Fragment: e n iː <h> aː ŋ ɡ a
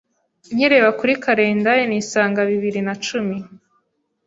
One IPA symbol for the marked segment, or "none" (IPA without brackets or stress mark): s